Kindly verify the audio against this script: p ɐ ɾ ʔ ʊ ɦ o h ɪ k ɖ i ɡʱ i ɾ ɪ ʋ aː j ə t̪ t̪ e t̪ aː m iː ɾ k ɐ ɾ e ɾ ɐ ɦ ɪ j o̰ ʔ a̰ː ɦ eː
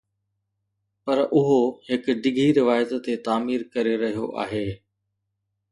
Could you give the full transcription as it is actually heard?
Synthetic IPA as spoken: p ɐ ɾ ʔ ʊ ɦ o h ɪ k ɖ ɪ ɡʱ i ɾ ɪ ʋ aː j ə t̪ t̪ e t̪ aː m iː ɾ k ɐ ɾ e ɾ ɐ ɦ i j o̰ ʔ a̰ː ɦ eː